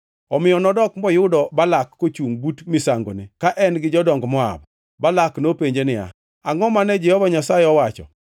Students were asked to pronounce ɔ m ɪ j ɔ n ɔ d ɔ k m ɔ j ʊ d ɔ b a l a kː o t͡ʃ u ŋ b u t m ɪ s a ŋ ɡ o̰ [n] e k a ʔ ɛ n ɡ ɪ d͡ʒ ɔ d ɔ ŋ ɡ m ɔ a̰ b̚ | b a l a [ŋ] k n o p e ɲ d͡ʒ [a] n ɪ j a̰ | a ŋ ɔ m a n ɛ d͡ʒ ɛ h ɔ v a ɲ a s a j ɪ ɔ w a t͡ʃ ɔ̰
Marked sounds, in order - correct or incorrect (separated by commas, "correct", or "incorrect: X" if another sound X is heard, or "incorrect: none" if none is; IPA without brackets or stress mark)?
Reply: correct, incorrect: none, incorrect: e